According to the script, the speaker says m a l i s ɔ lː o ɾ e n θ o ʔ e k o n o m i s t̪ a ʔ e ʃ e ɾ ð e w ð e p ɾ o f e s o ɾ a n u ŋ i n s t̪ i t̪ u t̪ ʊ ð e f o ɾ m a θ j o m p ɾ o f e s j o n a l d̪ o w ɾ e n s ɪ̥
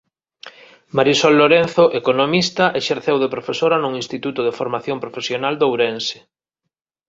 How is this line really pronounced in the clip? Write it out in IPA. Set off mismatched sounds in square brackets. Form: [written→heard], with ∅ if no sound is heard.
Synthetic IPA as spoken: m a [l→ɾ] i s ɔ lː o ɾ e n θ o ʔ e k o n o m i s t̪ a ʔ e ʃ e ɾ [ð→θ] e w ð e p ɾ o f e s o ɾ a n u ŋ i n s t̪ i t̪ u t̪ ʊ ð e f o ɾ m a θ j o m p ɾ o f e s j o n a l d̪ o w ɾ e n s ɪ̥